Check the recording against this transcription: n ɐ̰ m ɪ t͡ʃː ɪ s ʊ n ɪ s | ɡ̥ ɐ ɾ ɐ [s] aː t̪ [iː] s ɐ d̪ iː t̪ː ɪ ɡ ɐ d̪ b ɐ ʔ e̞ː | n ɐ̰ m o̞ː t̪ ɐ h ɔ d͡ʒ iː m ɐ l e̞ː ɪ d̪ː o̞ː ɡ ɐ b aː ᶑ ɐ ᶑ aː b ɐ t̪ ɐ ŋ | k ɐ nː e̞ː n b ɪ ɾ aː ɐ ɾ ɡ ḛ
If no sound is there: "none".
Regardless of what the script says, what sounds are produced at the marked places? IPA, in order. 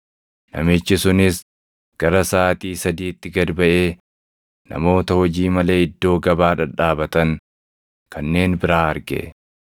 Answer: s, iː

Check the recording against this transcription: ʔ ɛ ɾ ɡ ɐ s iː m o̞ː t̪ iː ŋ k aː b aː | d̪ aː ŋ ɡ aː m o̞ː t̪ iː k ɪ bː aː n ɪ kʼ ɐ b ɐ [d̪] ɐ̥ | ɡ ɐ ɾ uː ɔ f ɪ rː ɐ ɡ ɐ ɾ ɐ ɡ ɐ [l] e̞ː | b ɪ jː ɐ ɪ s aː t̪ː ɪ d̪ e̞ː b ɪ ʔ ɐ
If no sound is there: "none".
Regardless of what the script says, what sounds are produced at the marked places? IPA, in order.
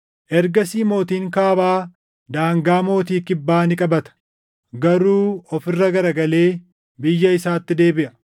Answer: t̪, l

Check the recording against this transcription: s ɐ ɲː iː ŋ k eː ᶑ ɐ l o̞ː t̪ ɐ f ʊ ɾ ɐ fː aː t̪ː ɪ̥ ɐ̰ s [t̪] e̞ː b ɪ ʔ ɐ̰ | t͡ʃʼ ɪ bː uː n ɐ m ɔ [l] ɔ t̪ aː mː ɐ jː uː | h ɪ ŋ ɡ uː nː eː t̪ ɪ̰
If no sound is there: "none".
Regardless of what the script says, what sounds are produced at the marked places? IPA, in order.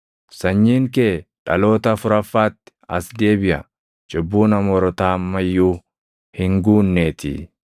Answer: d̪, ɾ

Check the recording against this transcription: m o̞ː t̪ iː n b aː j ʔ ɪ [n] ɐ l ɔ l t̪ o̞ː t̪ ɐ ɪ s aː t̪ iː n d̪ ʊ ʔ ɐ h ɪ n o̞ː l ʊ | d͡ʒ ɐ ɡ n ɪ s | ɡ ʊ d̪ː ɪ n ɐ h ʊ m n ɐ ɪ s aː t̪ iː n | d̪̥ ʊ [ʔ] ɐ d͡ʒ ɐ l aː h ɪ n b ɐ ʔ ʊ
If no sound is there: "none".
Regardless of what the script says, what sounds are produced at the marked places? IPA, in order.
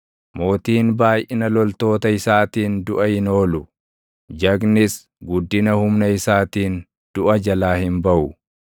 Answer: n, ʔ

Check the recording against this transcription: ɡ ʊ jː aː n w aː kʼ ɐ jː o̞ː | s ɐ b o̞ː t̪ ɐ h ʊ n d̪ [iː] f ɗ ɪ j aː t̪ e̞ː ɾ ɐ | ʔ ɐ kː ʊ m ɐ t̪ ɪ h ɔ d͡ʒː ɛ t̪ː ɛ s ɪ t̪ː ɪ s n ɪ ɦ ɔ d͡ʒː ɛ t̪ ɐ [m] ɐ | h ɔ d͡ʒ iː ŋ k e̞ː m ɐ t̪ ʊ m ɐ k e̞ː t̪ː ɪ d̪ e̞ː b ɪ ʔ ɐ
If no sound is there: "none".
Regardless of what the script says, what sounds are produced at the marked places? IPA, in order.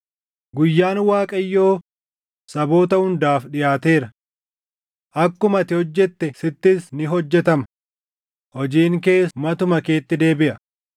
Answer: aː, m

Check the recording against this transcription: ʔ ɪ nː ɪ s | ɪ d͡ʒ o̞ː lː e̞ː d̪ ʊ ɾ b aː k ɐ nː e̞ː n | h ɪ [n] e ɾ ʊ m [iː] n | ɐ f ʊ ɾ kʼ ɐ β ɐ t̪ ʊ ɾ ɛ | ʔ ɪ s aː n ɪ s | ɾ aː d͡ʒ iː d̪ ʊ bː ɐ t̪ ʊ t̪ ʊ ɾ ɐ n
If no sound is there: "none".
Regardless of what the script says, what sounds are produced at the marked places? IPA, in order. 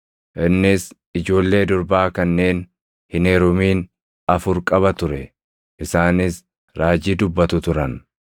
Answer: n, iː

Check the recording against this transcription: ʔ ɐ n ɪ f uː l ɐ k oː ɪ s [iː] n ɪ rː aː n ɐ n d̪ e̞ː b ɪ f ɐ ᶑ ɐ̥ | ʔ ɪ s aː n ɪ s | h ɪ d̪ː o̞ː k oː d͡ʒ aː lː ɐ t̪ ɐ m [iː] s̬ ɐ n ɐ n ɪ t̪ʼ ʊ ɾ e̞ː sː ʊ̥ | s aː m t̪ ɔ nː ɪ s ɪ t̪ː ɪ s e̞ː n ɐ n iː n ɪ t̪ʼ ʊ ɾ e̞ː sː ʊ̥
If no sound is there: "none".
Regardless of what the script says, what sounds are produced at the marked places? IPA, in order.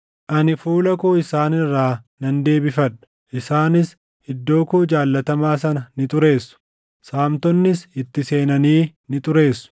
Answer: aː, aː

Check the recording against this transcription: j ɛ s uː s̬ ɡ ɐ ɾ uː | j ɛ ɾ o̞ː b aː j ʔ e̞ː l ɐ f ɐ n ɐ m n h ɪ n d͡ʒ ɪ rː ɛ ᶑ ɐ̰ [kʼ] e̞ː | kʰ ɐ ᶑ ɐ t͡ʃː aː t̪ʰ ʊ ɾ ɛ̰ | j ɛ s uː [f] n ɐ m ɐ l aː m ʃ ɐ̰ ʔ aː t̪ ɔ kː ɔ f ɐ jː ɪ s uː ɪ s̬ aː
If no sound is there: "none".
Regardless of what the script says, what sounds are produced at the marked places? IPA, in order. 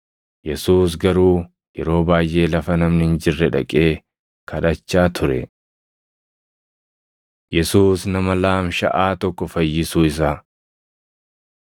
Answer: kʼ, s

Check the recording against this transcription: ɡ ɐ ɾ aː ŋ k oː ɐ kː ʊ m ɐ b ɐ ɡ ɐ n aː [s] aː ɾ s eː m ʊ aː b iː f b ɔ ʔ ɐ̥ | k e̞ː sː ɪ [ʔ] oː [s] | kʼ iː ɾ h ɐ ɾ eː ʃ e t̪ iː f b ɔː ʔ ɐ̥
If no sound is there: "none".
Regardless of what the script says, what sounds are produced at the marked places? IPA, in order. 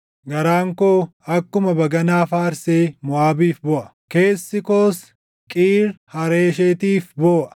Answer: f, k, s

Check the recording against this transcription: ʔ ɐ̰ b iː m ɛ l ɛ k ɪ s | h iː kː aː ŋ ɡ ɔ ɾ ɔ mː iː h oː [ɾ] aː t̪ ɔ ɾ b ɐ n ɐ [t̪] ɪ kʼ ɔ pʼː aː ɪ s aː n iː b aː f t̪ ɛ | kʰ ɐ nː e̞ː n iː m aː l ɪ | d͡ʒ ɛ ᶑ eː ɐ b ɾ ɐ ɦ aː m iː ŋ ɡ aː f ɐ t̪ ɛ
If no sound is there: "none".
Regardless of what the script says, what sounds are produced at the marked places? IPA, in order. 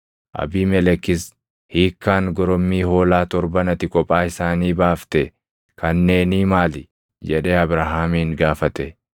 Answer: l, t̪

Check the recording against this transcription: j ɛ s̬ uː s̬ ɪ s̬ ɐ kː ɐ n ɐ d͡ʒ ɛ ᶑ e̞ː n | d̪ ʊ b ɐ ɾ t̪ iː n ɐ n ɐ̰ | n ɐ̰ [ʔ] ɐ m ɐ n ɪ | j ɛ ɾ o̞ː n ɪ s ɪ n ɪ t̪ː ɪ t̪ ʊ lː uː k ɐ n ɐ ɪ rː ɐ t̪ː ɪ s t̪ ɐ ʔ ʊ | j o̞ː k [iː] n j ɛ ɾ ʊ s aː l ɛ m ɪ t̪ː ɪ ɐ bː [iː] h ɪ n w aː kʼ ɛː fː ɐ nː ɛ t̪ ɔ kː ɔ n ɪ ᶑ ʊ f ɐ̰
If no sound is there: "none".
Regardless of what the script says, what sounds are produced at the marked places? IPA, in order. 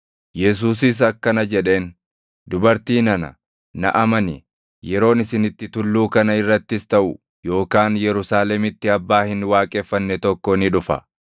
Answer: ʔ, aː, aː

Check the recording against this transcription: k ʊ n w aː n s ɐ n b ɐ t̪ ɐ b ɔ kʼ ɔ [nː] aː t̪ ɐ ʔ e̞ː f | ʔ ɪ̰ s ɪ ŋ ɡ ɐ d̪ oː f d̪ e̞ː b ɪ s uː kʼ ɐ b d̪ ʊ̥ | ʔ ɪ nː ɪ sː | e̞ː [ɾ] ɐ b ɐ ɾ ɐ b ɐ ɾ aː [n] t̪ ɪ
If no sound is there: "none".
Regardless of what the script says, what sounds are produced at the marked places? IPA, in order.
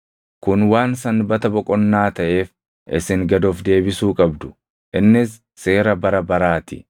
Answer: nː, ɾ, none

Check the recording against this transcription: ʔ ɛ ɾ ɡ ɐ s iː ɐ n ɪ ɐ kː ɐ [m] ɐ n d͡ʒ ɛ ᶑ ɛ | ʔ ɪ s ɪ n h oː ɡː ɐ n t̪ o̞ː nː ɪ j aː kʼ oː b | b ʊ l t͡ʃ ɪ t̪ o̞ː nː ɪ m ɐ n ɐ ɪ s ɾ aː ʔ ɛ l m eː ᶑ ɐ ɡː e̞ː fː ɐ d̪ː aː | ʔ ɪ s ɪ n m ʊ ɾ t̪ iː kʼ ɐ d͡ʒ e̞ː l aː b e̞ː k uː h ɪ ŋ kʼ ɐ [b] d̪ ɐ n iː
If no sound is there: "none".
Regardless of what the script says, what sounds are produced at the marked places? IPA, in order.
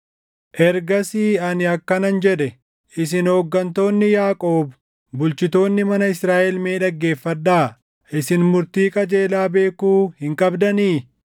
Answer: n, b

